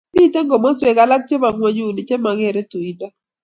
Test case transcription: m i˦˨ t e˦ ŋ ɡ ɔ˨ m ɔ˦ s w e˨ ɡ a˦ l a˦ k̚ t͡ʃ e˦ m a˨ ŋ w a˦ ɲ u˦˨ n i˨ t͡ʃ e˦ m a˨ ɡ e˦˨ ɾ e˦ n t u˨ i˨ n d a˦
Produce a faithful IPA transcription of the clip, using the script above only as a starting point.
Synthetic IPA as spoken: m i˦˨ t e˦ ŋ ɡ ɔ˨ m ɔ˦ s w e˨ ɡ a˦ l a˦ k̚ t͡ʃ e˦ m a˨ ŋ w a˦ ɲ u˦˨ n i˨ t͡ʃ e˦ m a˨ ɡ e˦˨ ɾ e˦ t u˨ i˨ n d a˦

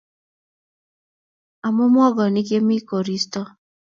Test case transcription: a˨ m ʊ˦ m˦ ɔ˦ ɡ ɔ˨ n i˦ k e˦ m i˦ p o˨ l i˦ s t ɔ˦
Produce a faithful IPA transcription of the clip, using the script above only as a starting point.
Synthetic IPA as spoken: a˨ m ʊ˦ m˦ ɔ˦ ɡ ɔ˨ n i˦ k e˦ m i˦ k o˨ ɾ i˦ s t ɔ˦

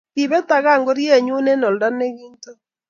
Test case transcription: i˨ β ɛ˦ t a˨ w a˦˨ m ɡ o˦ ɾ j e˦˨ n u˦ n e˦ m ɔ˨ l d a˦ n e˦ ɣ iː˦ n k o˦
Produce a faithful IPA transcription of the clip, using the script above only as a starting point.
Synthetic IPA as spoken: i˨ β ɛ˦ t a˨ ɣ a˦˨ ŋ ɡ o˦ ɾ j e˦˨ ɲ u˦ n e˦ n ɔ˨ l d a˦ n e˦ ɣ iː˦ n t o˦

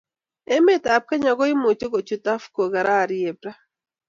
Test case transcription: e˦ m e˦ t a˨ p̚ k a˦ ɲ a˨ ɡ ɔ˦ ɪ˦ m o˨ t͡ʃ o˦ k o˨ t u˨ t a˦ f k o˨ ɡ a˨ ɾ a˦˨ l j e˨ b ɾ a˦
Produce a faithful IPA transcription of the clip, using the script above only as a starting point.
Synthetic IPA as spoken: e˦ m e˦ t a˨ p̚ k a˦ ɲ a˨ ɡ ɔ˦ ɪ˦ m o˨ t͡ʃ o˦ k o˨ t͡ʃ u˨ t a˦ f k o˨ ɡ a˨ ɾ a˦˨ ɾ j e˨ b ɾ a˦

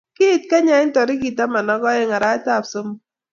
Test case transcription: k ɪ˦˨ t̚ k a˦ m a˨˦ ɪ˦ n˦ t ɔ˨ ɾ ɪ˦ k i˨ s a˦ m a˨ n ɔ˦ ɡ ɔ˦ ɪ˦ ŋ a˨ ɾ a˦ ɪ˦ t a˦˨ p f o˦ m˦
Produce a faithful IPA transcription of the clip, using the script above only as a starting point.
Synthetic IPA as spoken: k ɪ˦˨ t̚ k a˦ ɲ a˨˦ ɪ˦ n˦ t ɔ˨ ɾ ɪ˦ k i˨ t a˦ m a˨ n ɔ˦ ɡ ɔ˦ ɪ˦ ŋ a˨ ɾ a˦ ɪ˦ t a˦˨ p s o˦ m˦

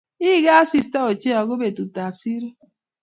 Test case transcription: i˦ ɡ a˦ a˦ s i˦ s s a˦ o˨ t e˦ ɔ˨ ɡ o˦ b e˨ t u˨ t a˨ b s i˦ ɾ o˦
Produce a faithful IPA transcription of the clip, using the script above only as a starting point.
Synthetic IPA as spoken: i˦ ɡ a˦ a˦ s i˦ s t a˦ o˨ t͡ʃ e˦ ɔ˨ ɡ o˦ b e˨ t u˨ t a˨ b s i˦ ɾ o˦

